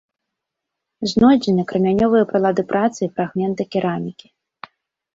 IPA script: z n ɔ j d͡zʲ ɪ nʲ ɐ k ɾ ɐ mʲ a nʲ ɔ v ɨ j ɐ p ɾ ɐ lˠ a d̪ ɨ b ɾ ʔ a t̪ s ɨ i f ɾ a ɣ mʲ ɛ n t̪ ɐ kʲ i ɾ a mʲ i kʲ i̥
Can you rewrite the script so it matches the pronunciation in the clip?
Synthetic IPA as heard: z n ɔ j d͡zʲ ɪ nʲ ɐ k ɾ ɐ mʲ a nʲ ɔ v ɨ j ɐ p ɾ ɐ lˠ a d̪ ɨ p ɾ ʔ a t̪ s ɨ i f ɾ a ɣ mʲ ɛ n t̪ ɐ kʲ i ɾ a mʲ i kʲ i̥